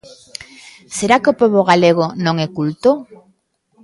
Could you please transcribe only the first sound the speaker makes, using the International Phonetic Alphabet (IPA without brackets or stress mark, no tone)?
s